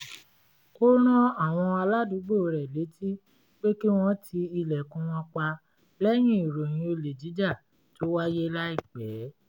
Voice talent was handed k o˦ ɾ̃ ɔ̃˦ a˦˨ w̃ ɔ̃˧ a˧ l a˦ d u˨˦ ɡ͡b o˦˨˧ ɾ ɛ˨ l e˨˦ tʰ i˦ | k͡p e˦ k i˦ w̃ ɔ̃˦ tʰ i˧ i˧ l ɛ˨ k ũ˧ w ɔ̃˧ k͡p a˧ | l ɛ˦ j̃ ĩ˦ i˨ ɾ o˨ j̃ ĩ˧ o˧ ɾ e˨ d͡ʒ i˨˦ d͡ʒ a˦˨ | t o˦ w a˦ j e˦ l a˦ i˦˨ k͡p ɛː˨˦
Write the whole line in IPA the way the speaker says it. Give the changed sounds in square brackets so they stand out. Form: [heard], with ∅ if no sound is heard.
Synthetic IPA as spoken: k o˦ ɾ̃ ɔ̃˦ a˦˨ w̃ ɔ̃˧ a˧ l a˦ d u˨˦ ɡ͡b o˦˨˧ ɾ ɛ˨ l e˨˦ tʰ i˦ | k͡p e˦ k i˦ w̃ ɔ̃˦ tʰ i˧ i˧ l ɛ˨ k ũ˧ w ɔ̃˧ k͡p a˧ | l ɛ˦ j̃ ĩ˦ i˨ ɾ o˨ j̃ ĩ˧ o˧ [l] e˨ d͡ʒ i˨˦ d͡ʒ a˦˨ | t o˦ w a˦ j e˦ l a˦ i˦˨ k͡p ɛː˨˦